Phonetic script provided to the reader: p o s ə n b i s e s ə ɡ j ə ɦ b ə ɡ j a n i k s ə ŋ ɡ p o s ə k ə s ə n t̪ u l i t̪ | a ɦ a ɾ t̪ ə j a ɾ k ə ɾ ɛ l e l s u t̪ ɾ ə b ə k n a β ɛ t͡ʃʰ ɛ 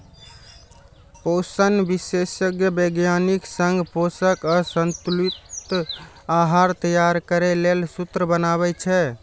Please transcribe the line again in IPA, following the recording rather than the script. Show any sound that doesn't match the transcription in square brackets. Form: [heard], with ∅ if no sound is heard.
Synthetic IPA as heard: p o s ə n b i s e s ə ɡ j ə [∅] b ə ɡ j a n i k s ə ŋ ɡ p o s ə k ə s ə n t̪ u l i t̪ | a ɦ a ɾ t̪ ə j a ɾ k ə ɾ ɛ l e l s u t̪ ɾ ə b ə [∅] n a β ɛ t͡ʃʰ ɛ